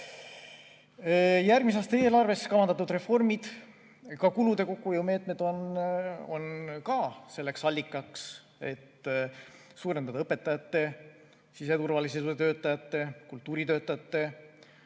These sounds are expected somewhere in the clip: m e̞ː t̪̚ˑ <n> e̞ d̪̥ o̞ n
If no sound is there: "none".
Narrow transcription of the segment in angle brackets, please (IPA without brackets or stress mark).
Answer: m